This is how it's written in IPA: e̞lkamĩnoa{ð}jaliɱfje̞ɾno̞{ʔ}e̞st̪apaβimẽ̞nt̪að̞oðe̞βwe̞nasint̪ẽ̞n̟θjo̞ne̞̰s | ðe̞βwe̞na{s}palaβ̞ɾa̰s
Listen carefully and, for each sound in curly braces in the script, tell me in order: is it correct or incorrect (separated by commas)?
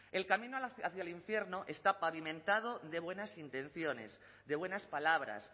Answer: incorrect, correct, correct